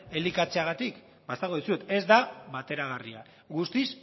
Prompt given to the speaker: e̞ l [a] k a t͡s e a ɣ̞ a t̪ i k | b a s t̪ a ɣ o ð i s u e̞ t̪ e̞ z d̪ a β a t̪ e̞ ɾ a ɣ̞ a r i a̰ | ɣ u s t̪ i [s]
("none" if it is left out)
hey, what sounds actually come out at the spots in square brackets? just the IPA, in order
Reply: i, s

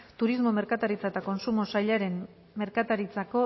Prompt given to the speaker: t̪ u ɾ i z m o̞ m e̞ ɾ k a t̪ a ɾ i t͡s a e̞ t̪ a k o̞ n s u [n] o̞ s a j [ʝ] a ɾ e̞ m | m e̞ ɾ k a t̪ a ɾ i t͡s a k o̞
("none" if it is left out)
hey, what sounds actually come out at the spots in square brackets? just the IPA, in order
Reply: m, ʎ

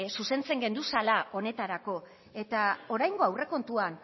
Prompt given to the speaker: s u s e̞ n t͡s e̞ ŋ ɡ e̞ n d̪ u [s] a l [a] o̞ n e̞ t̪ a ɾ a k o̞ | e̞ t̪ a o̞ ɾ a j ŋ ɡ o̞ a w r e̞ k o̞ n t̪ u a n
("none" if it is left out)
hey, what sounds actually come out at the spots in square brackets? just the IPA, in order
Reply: s, a

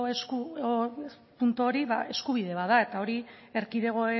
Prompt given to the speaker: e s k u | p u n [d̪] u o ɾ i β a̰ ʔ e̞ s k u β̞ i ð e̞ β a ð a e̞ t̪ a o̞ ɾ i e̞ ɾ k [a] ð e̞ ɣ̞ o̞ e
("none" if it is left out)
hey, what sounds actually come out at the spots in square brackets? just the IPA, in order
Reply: t̪, i

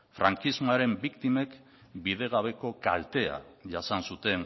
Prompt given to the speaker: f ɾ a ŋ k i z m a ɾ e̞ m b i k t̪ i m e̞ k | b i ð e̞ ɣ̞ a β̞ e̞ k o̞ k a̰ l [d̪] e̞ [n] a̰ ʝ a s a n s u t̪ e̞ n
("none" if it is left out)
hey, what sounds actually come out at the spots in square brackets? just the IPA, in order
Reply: t̪, none

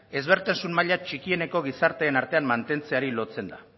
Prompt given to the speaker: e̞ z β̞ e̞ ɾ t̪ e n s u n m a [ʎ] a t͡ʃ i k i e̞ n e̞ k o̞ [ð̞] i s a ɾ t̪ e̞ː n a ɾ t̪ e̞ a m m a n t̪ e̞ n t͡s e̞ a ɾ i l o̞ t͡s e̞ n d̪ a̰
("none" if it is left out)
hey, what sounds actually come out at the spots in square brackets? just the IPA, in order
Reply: ʎ, ɣ̞

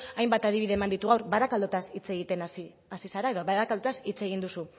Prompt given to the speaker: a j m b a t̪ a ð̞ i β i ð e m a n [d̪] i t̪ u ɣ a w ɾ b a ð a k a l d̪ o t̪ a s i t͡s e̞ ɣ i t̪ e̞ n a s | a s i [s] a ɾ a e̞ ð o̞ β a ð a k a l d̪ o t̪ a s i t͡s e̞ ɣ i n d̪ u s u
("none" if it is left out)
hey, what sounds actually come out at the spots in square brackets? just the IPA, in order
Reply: d̪, s

